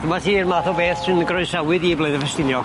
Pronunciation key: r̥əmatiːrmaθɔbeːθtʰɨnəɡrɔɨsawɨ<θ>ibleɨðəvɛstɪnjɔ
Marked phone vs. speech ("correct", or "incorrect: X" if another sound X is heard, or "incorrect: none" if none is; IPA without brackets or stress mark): incorrect: ð